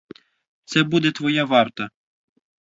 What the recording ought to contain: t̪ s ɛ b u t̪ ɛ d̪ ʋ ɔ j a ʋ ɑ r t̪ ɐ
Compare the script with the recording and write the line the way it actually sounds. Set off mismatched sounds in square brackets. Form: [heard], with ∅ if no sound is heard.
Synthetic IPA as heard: t̪ s ɛ b u [d̪] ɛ [t̪] ʋ ɔ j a ʋ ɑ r t̪ ɐ